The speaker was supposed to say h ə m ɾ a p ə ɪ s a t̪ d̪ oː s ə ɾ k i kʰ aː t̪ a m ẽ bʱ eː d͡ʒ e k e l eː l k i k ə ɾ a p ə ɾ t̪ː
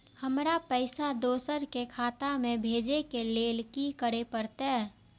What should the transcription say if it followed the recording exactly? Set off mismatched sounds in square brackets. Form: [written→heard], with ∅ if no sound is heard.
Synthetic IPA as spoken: h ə m ɾ a p ə ɪ s a [t̪→∅] d̪ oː s ə ɾ k [i→e] kʰ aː t̪ a m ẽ bʱ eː d͡ʒ e k e l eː l k i k ə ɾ [a→e] p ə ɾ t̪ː